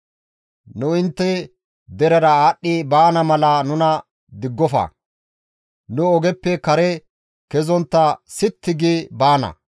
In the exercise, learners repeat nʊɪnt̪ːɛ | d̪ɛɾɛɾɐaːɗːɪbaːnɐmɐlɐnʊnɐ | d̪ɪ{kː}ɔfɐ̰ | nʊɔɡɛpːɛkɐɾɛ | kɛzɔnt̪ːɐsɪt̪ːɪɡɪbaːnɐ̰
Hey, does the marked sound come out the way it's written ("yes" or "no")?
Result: no